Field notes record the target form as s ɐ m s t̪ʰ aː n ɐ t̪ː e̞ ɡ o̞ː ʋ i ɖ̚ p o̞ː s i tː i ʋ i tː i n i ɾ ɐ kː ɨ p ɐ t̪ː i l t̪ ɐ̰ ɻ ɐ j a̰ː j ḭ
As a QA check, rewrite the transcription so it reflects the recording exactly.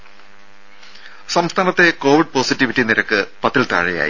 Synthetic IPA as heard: s ɐ m s t̪ʰ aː n ɐ t̪ː e̞ k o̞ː ʋ i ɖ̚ p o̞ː s i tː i ʋ i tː i n i ɾ ɐ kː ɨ p ɐ t̪ː i l t̪ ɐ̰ ɻ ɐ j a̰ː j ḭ

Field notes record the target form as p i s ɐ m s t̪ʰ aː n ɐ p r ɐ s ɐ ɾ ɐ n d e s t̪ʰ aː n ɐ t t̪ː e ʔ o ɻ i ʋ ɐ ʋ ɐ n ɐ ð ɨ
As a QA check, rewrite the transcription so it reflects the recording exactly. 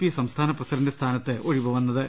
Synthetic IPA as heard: p i s ɐ m s t̪ʰ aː n ɐ p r ɐ s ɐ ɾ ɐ n d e s t̪ʰ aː n ɐ t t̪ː e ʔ o ɻ i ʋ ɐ ʋ ɐ nː ɐ ð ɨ

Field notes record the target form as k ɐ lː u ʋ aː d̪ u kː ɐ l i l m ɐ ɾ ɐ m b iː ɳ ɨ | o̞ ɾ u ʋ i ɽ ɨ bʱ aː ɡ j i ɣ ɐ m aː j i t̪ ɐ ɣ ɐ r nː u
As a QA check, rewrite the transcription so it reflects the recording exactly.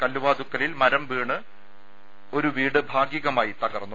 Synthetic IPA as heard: k ɐ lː u ʋ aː d̪ u kː ɐ l i l m ɐ ɾ ɐ m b iː ɳ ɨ | o̞ ɾ u ʋ iː ɽ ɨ bʱ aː ɡ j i ɣ ɐ m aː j i t̪ ɐ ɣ ɐ r nː u

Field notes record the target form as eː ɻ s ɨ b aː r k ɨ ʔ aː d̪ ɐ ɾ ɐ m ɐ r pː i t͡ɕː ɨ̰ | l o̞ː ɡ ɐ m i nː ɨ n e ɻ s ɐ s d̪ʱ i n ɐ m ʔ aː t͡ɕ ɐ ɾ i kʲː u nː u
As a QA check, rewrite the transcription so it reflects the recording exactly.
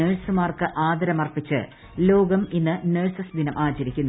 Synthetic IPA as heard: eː ɻ s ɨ m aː r k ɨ ʔ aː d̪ ɐ ɾ ɐ m ɐ r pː i t͡ɕː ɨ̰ | l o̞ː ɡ ɐ m i nː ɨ n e ɻ s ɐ s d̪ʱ i n ɐ m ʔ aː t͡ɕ ɐ ɾ i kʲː u nː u

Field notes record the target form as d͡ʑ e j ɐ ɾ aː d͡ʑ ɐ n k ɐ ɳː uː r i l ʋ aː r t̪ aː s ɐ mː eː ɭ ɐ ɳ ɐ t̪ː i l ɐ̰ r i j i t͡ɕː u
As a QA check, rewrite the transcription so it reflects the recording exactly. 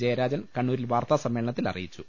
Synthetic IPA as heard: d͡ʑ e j ɐ ɾ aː d͡ʑ ɐ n k ɐ ɳː uː ɾ i l ʋ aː r t̪ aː s ɐ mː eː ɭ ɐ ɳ ɐ t̪ː i l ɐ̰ r i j i t͡ɕː u

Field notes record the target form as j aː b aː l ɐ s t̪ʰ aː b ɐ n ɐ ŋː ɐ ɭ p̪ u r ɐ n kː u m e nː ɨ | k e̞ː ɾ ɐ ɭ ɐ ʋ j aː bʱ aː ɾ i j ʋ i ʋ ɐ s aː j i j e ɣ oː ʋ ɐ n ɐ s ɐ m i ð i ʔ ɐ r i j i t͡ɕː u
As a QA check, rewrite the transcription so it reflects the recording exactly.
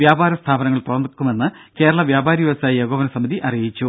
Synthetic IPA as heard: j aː b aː ɾ ɐ s t̪ʰ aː b ɐ n ɐ ŋː ɐ ɭ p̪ u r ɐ n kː u m e nː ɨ | k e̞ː ɾ ɐ ɭ ɐ ʋ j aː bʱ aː ɾ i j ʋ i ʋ ɐ s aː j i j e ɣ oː ʋ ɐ n ɐ s ɐ m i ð i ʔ ɐ r i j i t͡ɕː u

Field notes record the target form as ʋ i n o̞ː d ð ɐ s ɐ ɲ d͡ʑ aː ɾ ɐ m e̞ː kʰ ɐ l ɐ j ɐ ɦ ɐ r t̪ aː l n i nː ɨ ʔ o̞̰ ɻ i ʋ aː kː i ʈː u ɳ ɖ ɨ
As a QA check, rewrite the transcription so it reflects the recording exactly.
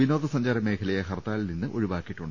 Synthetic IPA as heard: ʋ i n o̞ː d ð ɐ s ɐ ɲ d͡ʑ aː ɾ ɐ m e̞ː kʰ ɐ l ɐ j ɐ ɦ ɐ r t̪ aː l n i nː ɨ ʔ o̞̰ ɻ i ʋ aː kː i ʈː u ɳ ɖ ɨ

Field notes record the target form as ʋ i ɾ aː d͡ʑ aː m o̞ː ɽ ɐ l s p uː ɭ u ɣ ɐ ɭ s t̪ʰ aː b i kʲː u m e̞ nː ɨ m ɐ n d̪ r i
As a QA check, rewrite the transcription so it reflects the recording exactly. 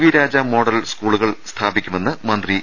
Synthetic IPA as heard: ʋ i ɾ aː d͡ʑ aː m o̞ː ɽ ɐ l s k uː ɭ u ɣ ɐ ɭ s t̪ʰ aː b i kʲː u m e̞ nː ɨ m ɐ n d̪ r i

